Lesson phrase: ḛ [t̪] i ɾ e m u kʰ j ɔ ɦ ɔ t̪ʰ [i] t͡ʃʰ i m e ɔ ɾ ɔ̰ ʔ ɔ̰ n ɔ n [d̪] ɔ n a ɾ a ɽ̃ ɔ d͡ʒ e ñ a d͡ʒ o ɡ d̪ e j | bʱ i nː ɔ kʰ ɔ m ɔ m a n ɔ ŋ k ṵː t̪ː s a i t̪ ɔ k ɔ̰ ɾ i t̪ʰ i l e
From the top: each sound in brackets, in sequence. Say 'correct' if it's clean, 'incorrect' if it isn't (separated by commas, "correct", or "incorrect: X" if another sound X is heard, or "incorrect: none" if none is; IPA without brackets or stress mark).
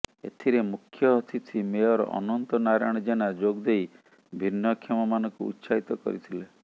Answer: incorrect: t̪ʰ, correct, incorrect: t̪